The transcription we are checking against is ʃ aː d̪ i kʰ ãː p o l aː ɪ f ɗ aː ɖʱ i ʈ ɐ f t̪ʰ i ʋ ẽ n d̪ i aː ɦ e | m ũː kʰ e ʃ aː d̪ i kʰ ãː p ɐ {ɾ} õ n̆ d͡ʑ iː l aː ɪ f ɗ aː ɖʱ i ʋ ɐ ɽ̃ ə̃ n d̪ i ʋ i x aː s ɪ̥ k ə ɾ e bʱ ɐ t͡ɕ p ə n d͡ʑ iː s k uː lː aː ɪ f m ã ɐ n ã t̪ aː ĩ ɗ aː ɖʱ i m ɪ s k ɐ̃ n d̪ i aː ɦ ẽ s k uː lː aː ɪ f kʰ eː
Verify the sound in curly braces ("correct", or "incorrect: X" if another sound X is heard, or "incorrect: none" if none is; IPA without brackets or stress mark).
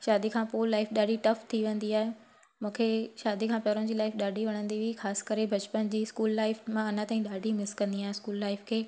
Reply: correct